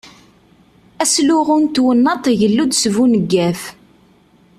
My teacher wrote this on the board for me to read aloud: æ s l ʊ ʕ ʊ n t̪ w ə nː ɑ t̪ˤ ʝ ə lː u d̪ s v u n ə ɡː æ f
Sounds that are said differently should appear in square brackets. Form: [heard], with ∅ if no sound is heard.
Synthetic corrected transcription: æ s l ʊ [ʁ] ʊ n t̪ w ə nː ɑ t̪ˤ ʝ ə lː u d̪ s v u n ə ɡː æ f

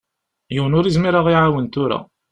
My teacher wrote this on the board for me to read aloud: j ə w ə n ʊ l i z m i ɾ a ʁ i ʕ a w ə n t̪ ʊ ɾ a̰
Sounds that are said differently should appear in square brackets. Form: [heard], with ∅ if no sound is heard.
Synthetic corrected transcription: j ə w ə n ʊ [ɾ] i z m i ɾ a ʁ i ʕ a w ə n t̪ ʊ ɾ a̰

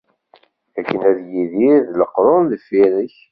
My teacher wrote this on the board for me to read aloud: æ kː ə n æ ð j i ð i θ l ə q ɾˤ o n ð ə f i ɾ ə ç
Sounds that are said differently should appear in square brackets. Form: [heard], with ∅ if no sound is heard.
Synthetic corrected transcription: æ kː ə n æ ð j i ð i [ð] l ə q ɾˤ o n ð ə f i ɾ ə ç

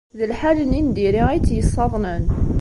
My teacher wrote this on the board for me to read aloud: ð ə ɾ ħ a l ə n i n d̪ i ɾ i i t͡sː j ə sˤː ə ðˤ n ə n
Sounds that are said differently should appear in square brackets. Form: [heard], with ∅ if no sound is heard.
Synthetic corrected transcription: ð ə [l] ħ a l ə n i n d̪ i ɾ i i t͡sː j ə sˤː [ɑ] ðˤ n ə n

